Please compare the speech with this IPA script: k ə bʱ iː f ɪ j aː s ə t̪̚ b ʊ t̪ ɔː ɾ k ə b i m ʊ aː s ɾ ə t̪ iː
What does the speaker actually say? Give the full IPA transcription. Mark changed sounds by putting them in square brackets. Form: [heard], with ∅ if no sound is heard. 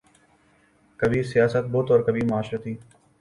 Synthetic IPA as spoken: k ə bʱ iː [s] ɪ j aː s ə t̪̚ b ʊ t̪ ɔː ɾ k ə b i m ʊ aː [ʃ] ɾ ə t̪ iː